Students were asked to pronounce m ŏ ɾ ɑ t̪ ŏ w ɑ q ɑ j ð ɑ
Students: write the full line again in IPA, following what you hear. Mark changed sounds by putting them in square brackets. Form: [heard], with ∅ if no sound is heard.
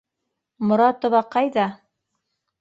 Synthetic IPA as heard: m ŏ ɾ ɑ t̪ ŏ [β] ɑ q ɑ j ð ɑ